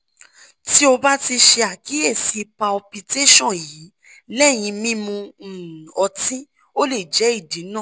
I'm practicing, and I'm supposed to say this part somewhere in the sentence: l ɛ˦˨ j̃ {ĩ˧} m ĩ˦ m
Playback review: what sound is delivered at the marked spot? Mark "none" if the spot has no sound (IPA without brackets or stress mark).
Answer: ĩ˧